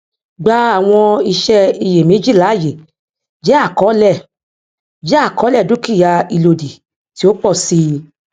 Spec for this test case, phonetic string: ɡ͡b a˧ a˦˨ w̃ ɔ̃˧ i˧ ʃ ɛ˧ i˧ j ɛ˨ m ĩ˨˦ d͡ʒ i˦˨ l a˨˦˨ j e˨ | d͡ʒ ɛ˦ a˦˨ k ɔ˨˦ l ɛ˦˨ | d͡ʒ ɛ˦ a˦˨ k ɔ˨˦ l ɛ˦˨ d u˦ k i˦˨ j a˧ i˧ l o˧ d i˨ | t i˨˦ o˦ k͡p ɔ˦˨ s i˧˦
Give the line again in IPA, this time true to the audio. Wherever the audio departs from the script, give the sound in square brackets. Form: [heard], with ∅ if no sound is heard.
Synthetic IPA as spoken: ɡ͡b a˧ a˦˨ w̃ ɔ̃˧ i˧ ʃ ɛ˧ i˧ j [e˨] m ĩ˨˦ d͡ʒ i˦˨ l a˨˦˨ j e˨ | d͡ʒ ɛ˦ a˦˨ k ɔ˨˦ l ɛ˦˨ | d͡ʒ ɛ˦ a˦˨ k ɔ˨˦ l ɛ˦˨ d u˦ k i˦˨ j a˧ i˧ l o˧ d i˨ | t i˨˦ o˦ k͡p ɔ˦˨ s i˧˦